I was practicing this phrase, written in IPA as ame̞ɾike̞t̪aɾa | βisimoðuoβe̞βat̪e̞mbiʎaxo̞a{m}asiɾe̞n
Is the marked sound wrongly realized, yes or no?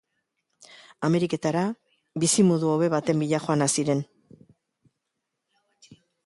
yes